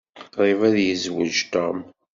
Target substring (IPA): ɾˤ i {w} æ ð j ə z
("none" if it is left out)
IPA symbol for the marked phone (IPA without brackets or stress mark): v